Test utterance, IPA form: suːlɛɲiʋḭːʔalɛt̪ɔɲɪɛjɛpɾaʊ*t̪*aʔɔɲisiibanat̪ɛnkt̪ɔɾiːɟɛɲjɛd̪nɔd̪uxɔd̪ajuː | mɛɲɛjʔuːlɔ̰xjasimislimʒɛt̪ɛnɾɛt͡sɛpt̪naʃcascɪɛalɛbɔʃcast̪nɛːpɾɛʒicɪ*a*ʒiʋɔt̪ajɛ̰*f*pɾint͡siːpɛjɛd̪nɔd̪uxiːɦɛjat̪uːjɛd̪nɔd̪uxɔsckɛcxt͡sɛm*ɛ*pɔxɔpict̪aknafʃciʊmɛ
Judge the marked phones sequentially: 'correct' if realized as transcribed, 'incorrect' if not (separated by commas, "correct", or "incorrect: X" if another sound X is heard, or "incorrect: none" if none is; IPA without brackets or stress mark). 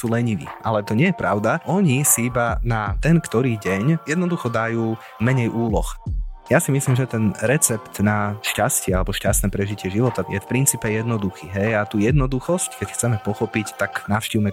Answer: incorrect: d̪, incorrect: ɛ, correct, correct